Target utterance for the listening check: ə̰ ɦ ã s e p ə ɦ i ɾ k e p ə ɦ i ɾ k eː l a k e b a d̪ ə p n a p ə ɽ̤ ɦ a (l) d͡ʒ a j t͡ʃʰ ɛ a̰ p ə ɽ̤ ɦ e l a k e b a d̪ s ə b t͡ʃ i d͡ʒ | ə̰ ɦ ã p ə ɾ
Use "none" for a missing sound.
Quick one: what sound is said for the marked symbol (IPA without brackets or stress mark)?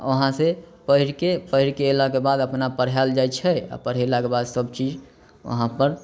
l